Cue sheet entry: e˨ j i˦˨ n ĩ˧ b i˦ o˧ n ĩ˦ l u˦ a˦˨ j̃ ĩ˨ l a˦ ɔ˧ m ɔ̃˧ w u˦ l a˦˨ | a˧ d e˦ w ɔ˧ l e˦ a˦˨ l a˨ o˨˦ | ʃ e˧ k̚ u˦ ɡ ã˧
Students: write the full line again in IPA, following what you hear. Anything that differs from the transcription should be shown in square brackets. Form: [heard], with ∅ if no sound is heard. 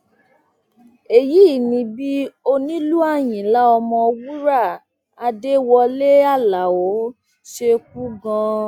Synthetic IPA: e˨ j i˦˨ n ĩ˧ b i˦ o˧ n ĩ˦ l u˦ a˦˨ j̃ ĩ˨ l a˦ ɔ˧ m ɔ̃˧ w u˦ [ɾ] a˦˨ | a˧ d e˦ w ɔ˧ l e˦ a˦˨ l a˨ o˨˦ | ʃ e˧ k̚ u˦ ɡ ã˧